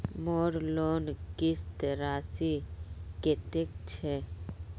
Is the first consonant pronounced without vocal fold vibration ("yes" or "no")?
no